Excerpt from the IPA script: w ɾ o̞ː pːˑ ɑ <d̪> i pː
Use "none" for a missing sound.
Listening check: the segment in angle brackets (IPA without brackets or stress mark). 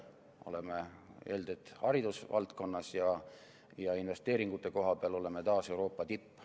t̪